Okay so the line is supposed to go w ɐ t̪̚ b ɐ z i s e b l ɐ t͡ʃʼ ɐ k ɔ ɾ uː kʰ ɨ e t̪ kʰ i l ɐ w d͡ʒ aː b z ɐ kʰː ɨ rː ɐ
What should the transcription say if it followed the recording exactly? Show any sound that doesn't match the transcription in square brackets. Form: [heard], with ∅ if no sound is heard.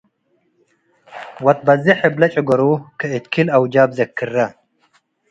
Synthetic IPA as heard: w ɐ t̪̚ b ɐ z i [ħ] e b l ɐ t͡ʃʼ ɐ [ɡ] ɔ ɾ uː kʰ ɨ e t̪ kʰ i l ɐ w d͡ʒ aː b z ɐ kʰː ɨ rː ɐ